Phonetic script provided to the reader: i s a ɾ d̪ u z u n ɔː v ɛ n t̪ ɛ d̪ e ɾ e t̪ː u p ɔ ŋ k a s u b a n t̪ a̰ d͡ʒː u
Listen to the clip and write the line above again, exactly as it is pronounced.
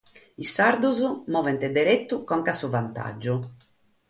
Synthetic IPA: i s a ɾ d̪ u z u m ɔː v ɛ n t̪ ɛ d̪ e ɾ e t̪ː u k ɔ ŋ k a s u v a n t̪ a̰ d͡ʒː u